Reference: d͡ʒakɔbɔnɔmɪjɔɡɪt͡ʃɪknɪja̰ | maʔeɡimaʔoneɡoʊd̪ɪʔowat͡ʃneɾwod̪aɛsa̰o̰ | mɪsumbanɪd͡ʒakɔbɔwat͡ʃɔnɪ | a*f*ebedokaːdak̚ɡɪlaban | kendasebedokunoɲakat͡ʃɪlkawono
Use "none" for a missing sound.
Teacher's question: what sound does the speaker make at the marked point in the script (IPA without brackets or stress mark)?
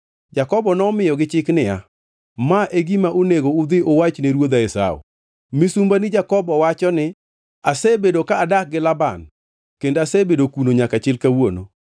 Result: s